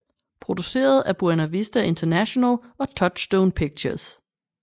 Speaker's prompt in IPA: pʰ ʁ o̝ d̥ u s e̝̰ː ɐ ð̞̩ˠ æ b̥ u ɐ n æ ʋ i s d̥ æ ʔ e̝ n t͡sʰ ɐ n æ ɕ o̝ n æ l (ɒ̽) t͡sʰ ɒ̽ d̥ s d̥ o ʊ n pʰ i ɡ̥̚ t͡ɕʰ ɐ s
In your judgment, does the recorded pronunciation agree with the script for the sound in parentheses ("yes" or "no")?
yes